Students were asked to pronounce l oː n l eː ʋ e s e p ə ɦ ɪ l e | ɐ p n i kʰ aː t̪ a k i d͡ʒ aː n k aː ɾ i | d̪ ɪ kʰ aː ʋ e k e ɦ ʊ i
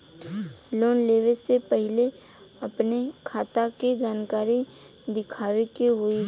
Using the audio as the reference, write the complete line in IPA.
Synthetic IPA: l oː n l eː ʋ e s e p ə ɦ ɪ l e | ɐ p n e kʰ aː t̪ a k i d͡ʒ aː n k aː ɾ i | d̪ ɪ kʰ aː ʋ e k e ɦ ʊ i